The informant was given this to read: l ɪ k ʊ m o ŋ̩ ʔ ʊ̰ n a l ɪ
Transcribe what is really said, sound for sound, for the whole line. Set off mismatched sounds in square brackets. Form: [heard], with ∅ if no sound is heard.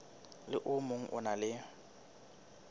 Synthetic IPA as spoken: l ɪ [ʔ] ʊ m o ŋ̩ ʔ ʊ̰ n a l ɪ